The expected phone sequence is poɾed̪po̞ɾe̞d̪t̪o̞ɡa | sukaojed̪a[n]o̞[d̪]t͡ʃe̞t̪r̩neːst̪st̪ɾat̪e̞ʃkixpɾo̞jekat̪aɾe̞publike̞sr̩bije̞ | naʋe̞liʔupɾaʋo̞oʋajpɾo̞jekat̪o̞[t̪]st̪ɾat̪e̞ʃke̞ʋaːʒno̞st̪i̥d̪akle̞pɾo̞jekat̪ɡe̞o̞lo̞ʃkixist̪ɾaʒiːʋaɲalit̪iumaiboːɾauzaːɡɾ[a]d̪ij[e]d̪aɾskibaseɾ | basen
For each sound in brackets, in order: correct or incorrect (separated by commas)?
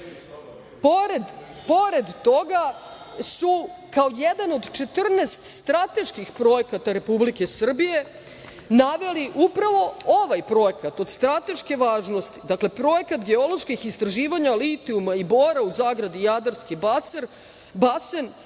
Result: correct, correct, incorrect, correct, incorrect